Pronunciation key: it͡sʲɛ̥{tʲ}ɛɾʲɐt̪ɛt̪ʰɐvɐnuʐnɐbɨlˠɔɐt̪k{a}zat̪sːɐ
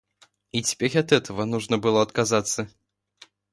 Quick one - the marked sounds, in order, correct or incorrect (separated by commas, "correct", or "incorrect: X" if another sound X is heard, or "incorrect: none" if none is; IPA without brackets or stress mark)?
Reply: incorrect: pʲ, correct